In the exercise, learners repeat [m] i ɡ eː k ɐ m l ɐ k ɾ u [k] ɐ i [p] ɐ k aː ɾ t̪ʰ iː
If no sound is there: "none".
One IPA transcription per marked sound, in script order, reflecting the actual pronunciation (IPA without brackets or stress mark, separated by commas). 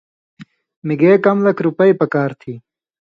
m, p, p